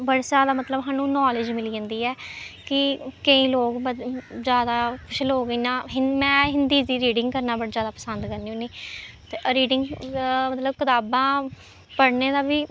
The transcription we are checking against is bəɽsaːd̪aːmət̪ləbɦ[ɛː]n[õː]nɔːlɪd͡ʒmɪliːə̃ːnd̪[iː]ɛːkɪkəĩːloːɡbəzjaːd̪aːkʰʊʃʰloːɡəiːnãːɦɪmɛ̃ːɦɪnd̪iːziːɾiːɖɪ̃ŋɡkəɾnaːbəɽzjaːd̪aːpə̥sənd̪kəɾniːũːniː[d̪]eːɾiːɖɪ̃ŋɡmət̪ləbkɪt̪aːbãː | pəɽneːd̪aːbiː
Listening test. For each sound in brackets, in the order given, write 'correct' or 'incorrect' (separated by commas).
incorrect, incorrect, correct, incorrect